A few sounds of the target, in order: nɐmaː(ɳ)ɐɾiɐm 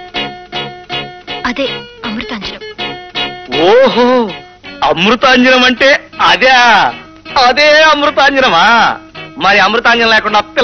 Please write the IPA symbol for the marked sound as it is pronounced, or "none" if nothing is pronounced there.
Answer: m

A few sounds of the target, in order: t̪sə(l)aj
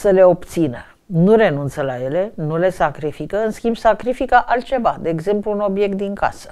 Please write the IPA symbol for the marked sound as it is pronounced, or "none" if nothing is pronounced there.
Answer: l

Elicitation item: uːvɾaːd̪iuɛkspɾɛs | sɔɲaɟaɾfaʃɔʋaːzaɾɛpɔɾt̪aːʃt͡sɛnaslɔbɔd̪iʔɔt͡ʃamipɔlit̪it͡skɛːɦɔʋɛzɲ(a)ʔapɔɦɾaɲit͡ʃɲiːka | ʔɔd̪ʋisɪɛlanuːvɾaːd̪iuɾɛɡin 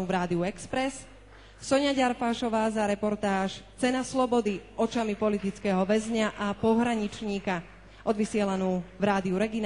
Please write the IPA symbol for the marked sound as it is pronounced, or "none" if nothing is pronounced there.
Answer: a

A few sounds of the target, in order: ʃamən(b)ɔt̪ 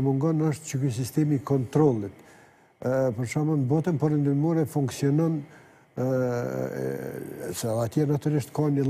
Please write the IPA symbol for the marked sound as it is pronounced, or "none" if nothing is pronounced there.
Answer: b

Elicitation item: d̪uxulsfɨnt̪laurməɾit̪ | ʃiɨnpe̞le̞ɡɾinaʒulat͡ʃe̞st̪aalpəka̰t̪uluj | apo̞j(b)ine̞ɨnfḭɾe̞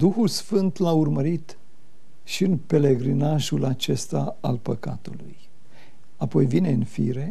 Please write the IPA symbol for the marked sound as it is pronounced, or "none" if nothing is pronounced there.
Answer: v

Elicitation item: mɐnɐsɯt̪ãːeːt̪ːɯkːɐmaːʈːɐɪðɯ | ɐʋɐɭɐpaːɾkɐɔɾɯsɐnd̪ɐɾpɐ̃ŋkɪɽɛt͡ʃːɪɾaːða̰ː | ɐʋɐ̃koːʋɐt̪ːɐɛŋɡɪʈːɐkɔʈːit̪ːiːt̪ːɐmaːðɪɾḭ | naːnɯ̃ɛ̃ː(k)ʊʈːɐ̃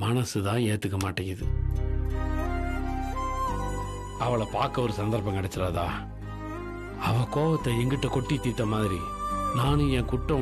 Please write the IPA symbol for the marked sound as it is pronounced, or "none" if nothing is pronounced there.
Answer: k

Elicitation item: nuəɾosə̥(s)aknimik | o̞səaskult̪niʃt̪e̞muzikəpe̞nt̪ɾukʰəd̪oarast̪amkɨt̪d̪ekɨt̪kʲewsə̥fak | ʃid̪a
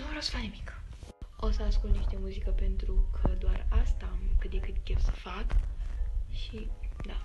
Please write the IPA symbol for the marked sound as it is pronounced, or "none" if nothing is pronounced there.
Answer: f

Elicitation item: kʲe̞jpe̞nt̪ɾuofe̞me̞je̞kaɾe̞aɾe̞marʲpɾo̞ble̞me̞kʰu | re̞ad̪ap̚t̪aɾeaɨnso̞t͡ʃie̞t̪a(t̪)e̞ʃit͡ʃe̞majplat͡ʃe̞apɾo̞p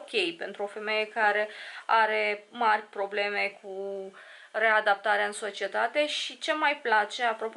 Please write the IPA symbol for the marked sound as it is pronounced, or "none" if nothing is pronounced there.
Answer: t̪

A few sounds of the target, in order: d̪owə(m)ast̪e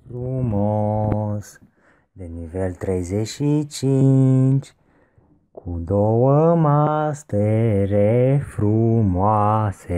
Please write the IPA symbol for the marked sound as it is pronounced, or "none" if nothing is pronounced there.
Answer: m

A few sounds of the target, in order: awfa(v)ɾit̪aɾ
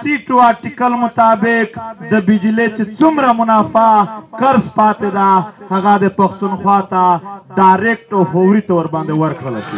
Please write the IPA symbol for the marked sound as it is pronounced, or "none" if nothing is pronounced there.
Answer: w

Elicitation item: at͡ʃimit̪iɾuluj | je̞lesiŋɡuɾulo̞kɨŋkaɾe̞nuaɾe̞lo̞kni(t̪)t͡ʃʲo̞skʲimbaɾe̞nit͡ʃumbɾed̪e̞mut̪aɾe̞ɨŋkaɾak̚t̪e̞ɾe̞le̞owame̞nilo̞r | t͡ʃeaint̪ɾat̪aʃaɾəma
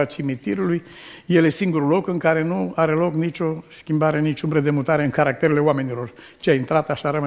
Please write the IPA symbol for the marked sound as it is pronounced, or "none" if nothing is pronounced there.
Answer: none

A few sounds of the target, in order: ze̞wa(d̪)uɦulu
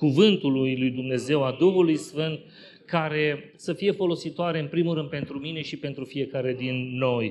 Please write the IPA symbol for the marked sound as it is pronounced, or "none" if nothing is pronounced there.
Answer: d̪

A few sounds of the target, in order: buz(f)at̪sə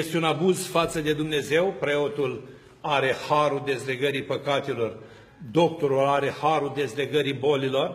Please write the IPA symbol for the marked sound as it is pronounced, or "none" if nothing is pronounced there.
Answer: f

